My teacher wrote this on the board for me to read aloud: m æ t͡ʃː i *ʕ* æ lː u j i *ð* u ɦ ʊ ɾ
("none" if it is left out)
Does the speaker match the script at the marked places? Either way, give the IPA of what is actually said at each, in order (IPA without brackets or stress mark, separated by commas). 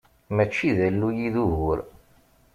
ð, ð